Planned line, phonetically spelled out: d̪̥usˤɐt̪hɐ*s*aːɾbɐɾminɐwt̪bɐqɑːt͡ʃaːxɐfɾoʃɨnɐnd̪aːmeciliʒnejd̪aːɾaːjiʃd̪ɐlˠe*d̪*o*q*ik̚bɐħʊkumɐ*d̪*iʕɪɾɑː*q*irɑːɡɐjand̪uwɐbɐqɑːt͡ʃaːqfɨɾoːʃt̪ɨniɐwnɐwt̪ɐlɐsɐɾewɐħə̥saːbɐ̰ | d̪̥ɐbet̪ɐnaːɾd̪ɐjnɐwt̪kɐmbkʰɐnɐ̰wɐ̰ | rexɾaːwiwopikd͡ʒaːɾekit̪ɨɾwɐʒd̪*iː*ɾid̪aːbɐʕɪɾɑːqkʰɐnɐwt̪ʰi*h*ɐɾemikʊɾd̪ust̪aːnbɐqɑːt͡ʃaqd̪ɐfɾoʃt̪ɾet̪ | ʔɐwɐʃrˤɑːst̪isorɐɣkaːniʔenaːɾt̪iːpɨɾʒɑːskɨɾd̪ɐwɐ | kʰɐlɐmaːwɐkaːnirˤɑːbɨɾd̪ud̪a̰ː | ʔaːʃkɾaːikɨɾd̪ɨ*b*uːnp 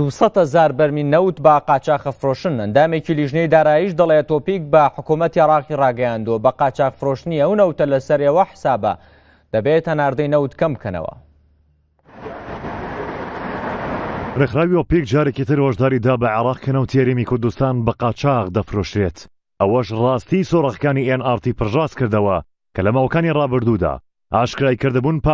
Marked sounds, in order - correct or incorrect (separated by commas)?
incorrect, incorrect, incorrect, incorrect, correct, incorrect, correct, correct